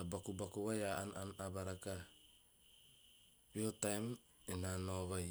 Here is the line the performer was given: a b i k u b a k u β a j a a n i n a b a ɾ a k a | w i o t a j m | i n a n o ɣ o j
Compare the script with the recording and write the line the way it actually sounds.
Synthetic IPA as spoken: a b a k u b a k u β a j a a n a n a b a ɾ a k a | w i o t a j m | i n a n o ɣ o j